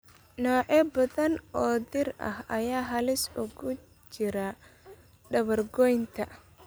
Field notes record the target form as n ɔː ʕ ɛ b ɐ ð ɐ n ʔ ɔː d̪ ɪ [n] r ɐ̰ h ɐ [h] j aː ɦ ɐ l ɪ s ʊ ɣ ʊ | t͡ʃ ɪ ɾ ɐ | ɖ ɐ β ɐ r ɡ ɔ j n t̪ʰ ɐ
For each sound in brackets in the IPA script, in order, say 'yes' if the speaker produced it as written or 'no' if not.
no, no

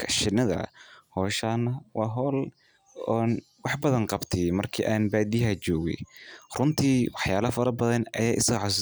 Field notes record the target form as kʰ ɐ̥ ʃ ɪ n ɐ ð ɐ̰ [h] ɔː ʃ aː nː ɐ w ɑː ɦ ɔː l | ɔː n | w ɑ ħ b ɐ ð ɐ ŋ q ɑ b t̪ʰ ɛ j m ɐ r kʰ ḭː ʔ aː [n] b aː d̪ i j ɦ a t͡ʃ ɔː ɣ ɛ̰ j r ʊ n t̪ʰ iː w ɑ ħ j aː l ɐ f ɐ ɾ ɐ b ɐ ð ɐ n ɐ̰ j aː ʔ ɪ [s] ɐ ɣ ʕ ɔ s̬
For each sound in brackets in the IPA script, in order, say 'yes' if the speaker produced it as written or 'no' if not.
yes, yes, yes

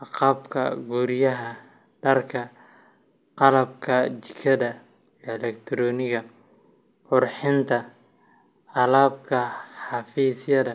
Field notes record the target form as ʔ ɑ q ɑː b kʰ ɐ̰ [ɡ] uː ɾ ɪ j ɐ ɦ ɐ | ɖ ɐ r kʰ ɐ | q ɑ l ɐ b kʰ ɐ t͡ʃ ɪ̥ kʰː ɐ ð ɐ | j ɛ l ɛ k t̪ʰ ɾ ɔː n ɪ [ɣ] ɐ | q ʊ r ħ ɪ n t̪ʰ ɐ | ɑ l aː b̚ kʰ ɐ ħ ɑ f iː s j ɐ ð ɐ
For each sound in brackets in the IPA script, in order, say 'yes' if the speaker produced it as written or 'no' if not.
yes, yes

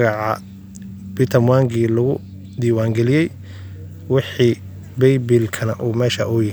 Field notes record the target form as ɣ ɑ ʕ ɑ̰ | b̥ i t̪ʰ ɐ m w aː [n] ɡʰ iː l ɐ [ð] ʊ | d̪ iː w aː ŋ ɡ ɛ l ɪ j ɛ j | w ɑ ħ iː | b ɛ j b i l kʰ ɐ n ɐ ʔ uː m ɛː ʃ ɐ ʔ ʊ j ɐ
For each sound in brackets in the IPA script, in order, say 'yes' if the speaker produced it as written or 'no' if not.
no, no

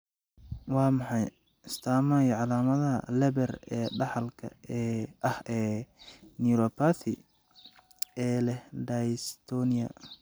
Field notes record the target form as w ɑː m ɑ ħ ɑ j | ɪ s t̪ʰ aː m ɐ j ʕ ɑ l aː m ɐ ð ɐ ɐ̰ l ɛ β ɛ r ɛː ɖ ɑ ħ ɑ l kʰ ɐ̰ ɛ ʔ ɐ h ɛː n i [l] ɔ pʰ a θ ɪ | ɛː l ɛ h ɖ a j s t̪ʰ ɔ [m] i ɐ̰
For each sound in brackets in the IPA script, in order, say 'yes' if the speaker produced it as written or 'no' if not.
no, no

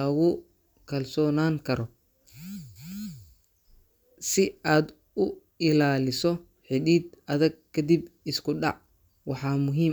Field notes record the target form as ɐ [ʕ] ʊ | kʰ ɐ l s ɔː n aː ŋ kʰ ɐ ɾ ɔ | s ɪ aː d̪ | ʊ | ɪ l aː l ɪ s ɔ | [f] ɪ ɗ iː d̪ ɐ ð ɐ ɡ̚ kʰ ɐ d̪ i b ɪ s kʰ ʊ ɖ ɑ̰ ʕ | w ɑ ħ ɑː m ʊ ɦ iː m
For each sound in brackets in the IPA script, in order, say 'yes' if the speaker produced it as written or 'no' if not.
no, no

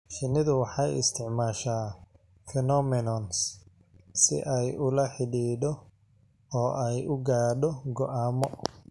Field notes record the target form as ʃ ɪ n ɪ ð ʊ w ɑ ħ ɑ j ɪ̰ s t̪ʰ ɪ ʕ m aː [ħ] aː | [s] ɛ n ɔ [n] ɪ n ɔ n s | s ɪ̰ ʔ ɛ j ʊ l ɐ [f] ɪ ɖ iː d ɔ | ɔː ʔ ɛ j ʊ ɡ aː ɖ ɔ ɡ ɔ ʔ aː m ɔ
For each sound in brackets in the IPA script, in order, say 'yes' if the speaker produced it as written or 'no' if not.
no, no, no, no

